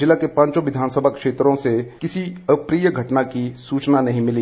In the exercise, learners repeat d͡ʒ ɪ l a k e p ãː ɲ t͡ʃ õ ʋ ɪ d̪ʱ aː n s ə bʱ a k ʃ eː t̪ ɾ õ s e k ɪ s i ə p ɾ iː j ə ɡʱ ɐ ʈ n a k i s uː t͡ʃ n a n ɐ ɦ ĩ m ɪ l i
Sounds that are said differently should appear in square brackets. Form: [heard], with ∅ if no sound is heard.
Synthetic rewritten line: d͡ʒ ɪ l a k e p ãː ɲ t͡ʃ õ ʋ ɪ d̪ʱ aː n s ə bʱ a k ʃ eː t̪ ɾ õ s e k ɪ s i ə p ɾ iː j ə ɡʱ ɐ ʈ n a k i s uː t͡ʃ n a n ɐ ɦ ĩ m ɪ l i

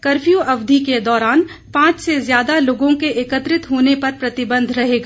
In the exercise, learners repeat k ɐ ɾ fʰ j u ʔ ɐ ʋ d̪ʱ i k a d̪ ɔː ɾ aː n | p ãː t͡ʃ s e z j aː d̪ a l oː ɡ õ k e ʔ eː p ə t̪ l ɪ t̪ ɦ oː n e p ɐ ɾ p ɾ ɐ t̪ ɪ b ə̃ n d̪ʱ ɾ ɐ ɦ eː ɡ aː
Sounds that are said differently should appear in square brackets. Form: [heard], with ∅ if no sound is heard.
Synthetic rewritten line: k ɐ ɾ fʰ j u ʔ ɐ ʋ d̪ʱ i k [e] d̪ ɔː ɾ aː n | p ãː t͡ʃ s e z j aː d̪ a l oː ɡ õ k e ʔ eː [k] ə t̪ [ɾ] ɪ t̪ ɦ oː n e p ɐ ɾ p ɾ ɐ t̪ ɪ b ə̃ n d̪ʱ ɾ ɐ ɦ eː ɡ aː

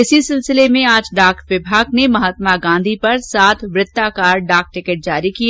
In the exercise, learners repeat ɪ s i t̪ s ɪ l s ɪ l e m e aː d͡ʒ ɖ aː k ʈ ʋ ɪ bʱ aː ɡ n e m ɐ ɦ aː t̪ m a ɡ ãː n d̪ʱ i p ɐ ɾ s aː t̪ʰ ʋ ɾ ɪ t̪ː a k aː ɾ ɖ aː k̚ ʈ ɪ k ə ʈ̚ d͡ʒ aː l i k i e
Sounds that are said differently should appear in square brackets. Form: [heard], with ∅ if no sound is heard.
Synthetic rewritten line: ɪ s i [∅] s ɪ l s ɪ l e m [ẽ] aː d͡ʒ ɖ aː k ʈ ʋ ɪ bʱ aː ɡ n e m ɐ ɦ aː t̪ m a ɡ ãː n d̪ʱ i p ɐ ɾ s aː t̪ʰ ʋ ɾ ɪ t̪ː a k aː ɾ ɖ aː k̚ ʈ ɪ k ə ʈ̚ d͡ʒ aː [ɾ] i k i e

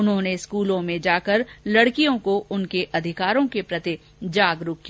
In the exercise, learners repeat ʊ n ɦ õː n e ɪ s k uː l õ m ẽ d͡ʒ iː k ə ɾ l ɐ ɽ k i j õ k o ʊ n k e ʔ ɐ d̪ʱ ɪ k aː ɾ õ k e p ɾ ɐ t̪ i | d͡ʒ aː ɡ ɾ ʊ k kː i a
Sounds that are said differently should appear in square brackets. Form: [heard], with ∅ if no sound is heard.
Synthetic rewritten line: ʊ n ɦ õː n e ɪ s k uː l õ m ẽ d͡ʒ [aː] k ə ɾ l ɐ ɽ k i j õ k o ʊ n k e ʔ ɐ d̪ʱ ɪ k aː ɾ õ k e p ɾ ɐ t̪ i | d͡ʒ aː ɡ ɾ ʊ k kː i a

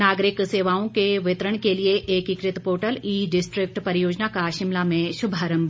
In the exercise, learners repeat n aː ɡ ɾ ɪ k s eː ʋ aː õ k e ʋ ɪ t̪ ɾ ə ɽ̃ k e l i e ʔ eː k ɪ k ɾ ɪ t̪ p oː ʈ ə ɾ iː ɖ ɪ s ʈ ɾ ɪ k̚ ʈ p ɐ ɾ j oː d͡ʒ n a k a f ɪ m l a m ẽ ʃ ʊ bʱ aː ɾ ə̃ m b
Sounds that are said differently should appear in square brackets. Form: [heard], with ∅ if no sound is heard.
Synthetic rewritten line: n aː ɡ ɾ ɪ k s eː ʋ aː õ k e ʋ ɪ t̪ ɾ ə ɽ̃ k e l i e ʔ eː k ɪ k ɾ ɪ t̪ p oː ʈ ə [l] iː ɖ ɪ s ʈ ɾ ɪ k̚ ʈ p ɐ ɾ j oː d͡ʒ n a k a [ʃ] ɪ m l a m ẽ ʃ ʊ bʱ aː ɾ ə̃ m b

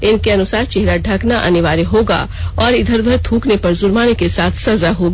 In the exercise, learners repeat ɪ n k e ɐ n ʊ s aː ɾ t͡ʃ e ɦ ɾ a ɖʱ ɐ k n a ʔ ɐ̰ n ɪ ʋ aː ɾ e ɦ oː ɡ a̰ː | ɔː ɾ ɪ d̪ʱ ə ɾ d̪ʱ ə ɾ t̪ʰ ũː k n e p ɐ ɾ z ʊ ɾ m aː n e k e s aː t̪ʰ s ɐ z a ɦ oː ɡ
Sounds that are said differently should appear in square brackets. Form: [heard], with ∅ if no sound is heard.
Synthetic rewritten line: ɪ n k e ɐ n ʊ s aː ɾ t͡ʃ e ɦ ɾ a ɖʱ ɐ k n a ʔ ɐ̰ n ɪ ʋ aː ɾ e ɦ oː ɡ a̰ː | ɔː ɾ ɪ d̪ʱ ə ɾ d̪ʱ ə ɾ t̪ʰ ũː k n e p ɐ ɾ z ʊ ɾ m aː n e k e s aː t̪ʰ s ɐ z a ɦ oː ɡ

